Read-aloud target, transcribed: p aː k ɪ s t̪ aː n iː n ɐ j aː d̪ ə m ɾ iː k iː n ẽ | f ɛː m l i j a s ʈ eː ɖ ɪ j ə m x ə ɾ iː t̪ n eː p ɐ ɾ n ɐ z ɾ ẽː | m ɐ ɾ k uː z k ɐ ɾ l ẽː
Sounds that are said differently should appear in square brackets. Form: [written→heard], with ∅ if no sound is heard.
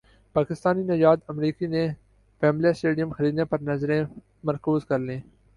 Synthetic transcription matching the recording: p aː k ɪ s t̪ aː n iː n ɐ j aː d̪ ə m ɾ iː k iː n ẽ | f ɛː m l i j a s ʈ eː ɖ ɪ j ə m x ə ɾ iː [t̪→d̪] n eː p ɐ ɾ n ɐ z ɾ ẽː | m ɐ ɾ k uː z k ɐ ɾ l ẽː